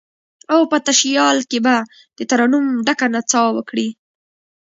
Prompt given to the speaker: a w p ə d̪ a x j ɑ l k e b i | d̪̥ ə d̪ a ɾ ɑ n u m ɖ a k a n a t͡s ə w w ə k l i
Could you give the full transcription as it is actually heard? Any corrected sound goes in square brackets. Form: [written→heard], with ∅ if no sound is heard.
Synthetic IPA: a w p ə [d̪→t̪] a [x→ʃ] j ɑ l k e b [i→a] | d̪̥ ə [d̪→t̪] a ɾ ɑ n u m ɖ a k a n a t͡s [ə→ɑ] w w ə k [l→ɽ] i